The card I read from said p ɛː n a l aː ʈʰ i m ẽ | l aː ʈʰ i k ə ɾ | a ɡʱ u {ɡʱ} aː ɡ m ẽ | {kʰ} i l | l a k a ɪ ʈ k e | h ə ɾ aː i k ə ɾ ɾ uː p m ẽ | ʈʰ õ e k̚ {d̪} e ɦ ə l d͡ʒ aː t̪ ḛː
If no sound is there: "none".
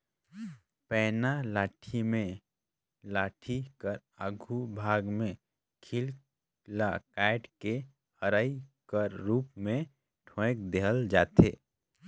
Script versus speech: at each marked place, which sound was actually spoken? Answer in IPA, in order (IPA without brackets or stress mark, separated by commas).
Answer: bʱ, kʰ, d̪